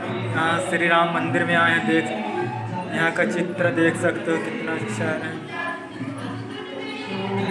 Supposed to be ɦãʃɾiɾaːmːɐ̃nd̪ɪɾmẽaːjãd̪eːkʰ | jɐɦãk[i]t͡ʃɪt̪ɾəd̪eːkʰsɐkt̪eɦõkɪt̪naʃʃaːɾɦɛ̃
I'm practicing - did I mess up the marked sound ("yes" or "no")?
yes